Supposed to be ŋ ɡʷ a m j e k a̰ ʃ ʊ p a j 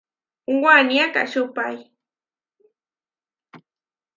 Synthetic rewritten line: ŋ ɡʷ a n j a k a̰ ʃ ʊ p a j

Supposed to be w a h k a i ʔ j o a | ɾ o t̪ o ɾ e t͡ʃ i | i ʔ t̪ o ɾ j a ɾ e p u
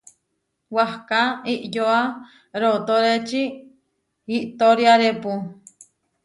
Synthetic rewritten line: w a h k a i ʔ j o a | ɾ o t̪ o ɾ e t͡ʃ i | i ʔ t̪ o ɾ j a ɾ e p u

